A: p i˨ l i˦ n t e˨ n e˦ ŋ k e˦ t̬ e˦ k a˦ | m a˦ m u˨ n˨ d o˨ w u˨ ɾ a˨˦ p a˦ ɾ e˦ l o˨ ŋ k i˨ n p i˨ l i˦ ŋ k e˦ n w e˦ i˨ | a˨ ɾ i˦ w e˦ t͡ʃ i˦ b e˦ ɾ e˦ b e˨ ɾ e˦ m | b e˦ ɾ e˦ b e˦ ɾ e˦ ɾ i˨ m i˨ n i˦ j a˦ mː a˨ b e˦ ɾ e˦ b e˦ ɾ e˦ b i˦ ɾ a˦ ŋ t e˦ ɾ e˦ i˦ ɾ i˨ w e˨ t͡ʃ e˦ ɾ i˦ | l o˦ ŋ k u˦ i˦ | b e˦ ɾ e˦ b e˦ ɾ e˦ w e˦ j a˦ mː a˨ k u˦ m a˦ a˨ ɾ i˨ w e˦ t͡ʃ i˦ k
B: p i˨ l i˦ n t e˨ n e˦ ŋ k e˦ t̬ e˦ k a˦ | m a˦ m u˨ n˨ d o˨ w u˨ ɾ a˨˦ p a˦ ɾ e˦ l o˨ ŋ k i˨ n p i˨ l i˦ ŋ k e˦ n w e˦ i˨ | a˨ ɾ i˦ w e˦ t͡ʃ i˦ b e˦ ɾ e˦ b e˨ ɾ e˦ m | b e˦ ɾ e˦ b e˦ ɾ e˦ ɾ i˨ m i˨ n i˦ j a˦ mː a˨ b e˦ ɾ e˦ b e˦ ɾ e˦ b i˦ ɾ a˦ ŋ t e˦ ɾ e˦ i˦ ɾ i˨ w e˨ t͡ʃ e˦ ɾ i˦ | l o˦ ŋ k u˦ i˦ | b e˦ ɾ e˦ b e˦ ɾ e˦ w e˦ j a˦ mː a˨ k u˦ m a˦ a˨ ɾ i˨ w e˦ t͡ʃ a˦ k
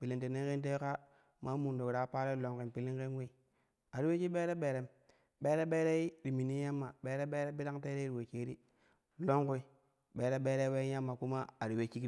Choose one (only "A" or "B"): A